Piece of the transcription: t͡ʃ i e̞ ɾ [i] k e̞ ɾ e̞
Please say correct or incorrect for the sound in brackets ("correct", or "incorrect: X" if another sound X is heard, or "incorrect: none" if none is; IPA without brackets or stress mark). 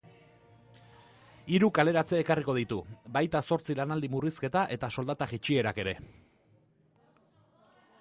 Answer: incorrect: a